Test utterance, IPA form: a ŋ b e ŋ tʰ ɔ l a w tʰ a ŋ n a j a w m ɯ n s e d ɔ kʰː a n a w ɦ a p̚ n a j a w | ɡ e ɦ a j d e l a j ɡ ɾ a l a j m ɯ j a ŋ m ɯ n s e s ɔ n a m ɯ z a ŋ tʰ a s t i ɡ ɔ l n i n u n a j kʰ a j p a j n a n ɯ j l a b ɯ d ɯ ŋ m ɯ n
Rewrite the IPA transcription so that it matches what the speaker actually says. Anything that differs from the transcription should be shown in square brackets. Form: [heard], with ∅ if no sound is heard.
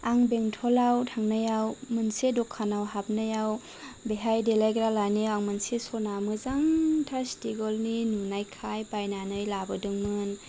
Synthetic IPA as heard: a ŋ b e ŋ tʰ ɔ l a w tʰ a ŋ n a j a w m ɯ n s e d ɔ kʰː a n a w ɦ a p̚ n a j a w | [b] e ɦ a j d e l a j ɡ ɾ a l a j [n] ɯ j a ŋ m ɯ n s e s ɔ n a m ɯ z a ŋ tʰ a s t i ɡ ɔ l n i n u n a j kʰ a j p a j n a n ɯ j l a b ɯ d ɯ ŋ m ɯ n